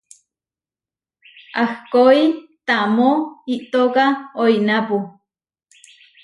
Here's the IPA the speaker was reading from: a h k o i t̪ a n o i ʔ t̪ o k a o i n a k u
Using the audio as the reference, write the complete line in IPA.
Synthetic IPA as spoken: a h k o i t̪ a m o i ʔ t̪ o k a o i n a p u